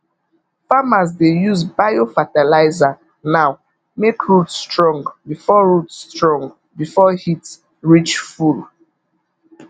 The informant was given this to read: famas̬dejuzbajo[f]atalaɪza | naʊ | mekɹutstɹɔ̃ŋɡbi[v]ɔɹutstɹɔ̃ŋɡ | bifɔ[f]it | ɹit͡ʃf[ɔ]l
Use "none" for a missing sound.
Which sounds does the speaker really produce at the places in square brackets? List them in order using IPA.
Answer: f, f, h, u

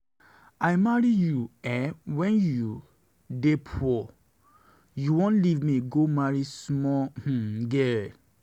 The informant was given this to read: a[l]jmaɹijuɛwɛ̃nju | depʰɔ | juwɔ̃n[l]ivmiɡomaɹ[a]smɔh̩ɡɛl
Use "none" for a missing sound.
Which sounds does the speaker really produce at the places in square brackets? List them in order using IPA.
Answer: none, l, i

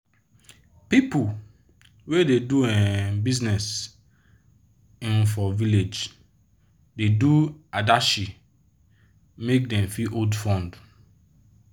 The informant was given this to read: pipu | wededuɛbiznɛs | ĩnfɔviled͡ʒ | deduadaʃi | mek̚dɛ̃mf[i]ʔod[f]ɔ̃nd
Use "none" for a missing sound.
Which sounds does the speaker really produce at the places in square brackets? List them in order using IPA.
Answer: i, f

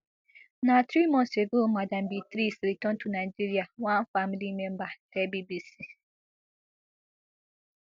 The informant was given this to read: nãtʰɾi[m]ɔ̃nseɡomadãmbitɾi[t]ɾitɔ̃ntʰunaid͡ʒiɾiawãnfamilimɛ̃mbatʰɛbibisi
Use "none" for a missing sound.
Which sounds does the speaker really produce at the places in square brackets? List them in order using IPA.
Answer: m, s

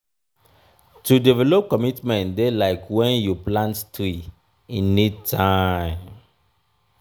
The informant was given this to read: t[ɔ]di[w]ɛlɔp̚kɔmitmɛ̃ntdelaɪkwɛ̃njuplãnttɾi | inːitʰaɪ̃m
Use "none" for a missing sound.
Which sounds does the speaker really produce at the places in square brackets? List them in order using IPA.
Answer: u, v

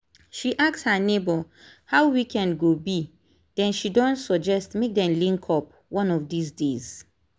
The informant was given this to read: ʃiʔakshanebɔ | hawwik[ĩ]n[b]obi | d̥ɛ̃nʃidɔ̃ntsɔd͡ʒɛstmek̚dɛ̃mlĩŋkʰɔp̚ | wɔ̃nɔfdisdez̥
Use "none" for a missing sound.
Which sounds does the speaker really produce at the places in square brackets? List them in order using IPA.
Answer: ɛ̃, ɡ

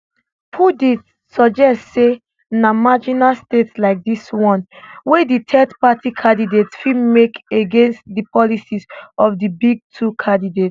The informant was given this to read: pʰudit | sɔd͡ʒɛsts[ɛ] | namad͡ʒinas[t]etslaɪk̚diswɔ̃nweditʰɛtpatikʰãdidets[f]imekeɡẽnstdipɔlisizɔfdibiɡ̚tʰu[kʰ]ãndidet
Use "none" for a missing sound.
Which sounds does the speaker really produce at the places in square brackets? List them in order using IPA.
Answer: e, t, f, kʰ

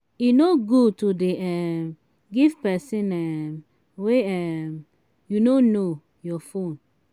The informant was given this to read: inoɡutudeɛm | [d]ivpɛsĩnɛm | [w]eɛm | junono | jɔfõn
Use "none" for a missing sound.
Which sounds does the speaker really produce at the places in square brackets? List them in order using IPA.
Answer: ɡ, w

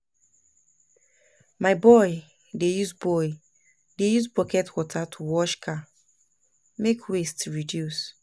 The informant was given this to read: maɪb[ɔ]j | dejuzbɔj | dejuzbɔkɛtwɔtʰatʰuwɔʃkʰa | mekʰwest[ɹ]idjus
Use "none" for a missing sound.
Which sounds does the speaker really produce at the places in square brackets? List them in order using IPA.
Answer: ɔ, ɹ

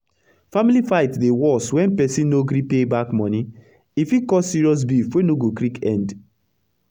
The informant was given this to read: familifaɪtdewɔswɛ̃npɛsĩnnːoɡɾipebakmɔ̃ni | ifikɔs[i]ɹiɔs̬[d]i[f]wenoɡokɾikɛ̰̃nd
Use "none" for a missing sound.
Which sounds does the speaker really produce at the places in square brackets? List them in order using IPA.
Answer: i, b, f

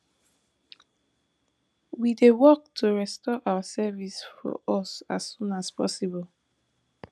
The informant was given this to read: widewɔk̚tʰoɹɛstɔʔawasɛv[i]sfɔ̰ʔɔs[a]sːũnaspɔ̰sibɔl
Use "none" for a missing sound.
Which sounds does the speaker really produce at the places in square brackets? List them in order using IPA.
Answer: i, a

